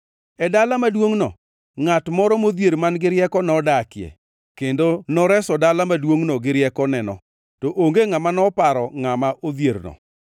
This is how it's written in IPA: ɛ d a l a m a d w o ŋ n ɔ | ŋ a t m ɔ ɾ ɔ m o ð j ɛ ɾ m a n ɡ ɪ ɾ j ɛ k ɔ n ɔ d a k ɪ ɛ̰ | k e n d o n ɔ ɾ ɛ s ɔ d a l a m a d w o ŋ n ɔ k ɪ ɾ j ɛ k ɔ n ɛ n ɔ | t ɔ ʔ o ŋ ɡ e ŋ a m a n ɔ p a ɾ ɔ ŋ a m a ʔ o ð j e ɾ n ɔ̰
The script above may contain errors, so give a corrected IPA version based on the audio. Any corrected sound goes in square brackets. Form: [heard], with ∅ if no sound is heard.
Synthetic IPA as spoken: ɛ d a l a m a d w o ŋ n ɔ | ŋ a t m ɔ ɾ ɔ m o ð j [e] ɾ m a n ɡ ɪ ɾ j ɛ k ɔ n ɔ d a k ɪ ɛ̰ | k e n d o n ɔ ɾ ɛ s ɔ d a l a m a d w o ŋ n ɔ [ɡ] ɪ ɾ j ɛ k ɔ n ɛ n ɔ | t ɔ ʔ o ŋ ɡ e ŋ a m a n ɔ p a ɾ ɔ ŋ a m a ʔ o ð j e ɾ n ɔ̰